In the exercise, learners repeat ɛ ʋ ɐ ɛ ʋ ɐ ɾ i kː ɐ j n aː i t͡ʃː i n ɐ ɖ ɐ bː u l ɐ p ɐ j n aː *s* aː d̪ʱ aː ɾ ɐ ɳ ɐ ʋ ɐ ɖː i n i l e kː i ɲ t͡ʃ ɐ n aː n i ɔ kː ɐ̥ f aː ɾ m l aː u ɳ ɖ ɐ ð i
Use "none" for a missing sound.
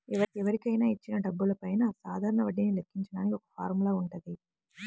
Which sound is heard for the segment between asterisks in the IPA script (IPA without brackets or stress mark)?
s